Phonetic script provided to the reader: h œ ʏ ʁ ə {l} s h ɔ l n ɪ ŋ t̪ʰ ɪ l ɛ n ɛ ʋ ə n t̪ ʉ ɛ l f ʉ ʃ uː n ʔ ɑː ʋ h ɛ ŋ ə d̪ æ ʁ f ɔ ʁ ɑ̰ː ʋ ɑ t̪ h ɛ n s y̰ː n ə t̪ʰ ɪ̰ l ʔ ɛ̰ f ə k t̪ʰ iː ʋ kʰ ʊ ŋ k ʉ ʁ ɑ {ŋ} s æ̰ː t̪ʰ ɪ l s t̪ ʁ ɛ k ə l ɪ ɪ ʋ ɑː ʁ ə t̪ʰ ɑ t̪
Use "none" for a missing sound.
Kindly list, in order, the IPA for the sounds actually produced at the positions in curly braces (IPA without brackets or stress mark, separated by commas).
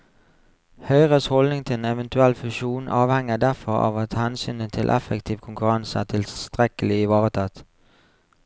none, n